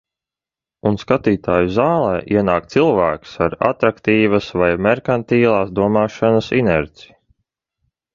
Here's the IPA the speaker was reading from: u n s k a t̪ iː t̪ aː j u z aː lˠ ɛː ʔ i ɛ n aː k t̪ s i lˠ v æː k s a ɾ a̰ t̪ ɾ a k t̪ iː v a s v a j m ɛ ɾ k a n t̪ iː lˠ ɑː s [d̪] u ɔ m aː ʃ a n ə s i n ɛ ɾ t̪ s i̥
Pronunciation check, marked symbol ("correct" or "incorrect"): correct